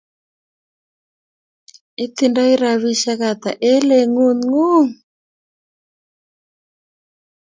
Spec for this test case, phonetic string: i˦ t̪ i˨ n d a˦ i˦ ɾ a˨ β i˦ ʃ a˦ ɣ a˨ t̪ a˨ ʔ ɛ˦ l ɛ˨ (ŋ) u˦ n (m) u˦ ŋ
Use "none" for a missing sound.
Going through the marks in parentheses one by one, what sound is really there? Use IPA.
ŋ, ŋ

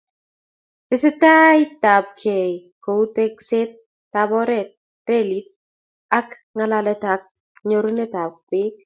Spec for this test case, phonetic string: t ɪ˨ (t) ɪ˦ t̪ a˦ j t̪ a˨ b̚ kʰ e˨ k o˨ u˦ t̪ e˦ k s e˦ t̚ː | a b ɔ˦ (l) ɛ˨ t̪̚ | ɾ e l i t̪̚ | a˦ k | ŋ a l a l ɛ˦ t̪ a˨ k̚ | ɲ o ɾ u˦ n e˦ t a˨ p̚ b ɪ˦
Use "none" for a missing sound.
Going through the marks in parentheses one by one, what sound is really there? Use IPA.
s, ɾ

